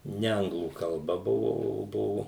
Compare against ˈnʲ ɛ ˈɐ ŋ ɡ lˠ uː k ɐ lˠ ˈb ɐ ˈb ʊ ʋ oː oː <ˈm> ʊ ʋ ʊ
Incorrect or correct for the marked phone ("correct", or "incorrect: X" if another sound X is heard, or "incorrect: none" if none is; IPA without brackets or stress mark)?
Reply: incorrect: b